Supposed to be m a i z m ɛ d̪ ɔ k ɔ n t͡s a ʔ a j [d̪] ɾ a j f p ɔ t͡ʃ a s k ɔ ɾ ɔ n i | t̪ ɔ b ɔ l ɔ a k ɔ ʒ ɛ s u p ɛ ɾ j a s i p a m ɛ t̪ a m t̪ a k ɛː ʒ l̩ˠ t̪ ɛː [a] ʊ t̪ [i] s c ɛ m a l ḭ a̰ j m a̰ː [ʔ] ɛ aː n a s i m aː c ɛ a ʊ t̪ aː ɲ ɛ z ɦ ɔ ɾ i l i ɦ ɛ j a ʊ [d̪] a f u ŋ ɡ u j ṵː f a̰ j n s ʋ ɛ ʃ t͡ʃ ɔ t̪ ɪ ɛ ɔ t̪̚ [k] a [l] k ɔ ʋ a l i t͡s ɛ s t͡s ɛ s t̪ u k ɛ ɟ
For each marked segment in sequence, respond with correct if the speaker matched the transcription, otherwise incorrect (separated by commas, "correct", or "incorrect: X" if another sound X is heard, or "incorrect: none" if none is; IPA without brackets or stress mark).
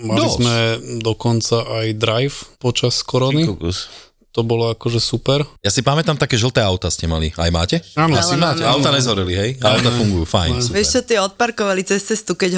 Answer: correct, correct, incorrect: a, incorrect: c, incorrect: t̪, incorrect: p, incorrect: ɾ